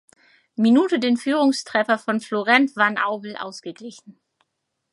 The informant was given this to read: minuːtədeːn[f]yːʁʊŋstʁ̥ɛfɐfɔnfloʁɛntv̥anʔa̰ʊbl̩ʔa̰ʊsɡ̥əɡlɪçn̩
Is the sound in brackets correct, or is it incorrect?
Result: correct